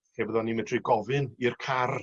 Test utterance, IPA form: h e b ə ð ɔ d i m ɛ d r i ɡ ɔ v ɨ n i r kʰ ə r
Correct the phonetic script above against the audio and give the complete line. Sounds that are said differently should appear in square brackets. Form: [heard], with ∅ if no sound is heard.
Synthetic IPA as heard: h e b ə ð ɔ [n] i m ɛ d r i ɡ ɔ v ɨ n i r kʰ [a] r

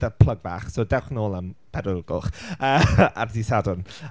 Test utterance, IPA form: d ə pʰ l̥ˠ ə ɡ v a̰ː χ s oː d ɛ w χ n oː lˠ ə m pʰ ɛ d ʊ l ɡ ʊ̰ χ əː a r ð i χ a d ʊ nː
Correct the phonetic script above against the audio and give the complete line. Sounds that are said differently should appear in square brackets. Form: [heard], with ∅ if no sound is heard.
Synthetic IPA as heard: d ə pʰ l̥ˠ ə ɡ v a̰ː χ s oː d ɛ w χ n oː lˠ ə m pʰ ɛ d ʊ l ɡ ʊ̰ χ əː a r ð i [s] a d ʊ [n]

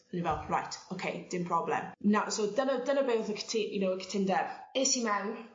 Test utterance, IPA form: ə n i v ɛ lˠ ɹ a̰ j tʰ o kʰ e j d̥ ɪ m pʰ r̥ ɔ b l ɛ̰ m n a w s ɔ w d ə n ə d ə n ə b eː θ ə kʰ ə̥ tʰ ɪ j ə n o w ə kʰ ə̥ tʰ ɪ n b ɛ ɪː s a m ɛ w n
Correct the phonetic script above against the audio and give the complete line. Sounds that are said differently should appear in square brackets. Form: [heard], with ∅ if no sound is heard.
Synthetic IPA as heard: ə n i v ɛ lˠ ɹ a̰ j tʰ o kʰ e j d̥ ɪ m pʰ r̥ ɔ b l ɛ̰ m n a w s [o] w d ə n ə d ə n ə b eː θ ə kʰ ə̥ tʰ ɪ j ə n o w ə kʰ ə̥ tʰ ɪ n [d] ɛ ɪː s [i] m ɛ w n

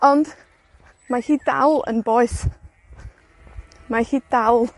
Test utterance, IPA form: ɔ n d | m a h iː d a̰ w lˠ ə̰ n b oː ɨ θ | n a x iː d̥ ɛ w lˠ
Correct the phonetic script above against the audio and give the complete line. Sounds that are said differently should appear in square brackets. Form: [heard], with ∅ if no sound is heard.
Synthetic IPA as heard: ɔ n d | m a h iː d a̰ w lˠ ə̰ n b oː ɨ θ | [m] a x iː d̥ [a] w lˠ

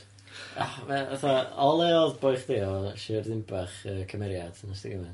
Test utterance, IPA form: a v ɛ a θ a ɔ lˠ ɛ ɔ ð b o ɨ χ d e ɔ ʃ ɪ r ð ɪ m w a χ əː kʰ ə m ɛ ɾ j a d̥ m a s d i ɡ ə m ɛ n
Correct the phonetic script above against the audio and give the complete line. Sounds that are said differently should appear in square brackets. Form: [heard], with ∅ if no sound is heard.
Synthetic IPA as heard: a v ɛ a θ a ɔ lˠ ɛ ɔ ð b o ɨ χ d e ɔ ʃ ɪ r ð ɪ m [b] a χ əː kʰ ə m ɛ ɾ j a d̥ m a s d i ɡ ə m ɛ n

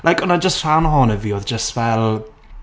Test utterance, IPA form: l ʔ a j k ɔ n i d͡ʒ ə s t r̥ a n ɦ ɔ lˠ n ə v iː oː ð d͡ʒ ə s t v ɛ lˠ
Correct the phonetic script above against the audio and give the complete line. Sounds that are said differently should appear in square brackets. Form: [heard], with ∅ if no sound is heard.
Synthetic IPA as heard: l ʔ a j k ɔ n [a] d͡ʒ ə s t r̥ a n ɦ ɔ [∅] n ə v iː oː ð d͡ʒ ə s t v ɛ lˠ

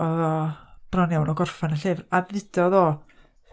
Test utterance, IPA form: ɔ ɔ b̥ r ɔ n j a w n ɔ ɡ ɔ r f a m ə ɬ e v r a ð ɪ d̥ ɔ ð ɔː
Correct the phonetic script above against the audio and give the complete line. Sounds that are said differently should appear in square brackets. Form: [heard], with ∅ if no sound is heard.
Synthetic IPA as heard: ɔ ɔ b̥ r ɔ n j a w n ɔ ɡ ɔ r f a [n] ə ɬ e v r a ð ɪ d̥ ɔ ð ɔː

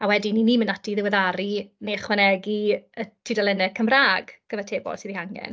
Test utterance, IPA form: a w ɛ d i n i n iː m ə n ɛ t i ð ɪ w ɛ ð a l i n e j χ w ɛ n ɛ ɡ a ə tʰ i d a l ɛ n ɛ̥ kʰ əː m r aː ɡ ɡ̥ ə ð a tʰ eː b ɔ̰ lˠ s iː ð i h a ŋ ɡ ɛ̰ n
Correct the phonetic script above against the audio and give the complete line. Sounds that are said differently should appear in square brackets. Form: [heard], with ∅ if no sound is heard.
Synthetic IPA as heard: a w ɛ d i n i n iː m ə n [a] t i ð ɪ w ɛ ð a [ɾ] i n e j χ w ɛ n ɛ ɡ [i] ə tʰ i d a l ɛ n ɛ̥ kʰ [ə] m r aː ɡ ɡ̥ ə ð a tʰ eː b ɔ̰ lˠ s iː ð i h a ŋ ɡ ɛ̰ n

